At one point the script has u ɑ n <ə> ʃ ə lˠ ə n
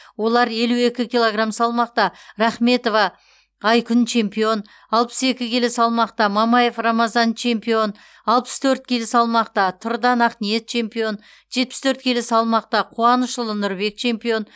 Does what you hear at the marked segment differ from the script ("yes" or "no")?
no